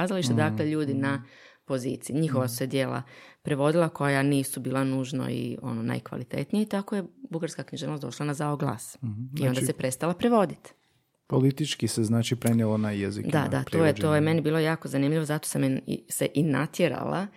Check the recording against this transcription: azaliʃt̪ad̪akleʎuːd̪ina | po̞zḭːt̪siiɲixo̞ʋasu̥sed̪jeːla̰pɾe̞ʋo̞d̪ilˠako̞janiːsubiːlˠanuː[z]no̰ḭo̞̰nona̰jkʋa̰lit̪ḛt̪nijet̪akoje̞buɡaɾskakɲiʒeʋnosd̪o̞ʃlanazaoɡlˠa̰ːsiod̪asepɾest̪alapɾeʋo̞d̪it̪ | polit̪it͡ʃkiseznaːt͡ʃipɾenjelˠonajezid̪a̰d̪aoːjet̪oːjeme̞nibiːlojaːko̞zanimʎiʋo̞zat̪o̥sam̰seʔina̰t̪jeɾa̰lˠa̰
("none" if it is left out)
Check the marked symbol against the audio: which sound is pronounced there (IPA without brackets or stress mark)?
ʒ